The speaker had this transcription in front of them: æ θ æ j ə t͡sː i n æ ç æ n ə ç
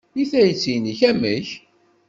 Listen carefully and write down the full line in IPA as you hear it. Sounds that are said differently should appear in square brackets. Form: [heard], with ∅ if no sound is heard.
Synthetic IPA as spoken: [i] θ æ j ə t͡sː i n [i] ç æ [m] ə ç